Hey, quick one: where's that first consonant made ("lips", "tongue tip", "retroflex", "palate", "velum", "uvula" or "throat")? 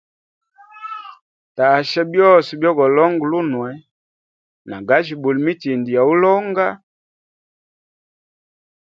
tongue tip